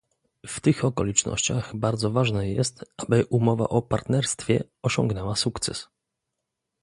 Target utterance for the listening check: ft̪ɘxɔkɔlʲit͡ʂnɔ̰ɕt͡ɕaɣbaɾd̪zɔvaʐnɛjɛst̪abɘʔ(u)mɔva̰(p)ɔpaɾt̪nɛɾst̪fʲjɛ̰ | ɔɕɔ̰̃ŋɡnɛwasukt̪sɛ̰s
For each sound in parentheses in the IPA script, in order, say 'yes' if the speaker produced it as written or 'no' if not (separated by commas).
yes, no